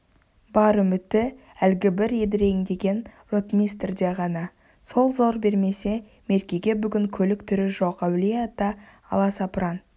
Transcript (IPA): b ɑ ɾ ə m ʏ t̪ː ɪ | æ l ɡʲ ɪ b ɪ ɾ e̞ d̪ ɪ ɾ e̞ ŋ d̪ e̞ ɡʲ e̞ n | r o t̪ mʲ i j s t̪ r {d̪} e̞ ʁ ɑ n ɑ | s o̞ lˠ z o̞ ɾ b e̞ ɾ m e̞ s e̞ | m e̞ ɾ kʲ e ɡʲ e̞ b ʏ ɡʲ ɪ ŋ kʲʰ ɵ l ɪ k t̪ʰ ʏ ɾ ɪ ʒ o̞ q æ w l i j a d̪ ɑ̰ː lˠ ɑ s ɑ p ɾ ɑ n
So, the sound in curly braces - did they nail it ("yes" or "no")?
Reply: yes